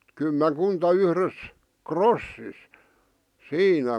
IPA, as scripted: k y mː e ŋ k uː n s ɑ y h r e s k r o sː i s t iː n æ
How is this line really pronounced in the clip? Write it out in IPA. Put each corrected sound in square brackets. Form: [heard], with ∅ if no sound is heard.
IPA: k y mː e ŋ k [u] n [t] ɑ y h r e s k r o sː i s [s] iː n æ